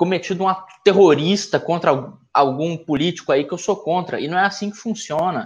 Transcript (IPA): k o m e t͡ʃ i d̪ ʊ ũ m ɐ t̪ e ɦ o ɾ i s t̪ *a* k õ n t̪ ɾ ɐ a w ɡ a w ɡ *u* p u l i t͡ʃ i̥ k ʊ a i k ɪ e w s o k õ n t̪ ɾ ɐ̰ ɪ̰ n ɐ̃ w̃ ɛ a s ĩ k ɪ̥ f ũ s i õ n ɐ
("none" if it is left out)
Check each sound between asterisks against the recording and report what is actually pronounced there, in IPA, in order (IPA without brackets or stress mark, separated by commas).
ɐ, ũ